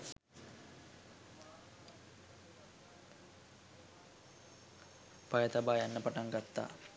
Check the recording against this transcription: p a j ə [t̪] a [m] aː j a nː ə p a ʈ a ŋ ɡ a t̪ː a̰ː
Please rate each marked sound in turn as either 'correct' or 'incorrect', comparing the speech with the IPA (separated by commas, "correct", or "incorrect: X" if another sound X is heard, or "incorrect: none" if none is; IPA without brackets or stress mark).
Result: correct, incorrect: b